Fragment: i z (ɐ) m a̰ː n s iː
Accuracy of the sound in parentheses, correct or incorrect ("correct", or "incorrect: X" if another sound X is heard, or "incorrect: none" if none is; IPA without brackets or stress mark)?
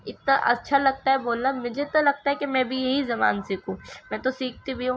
correct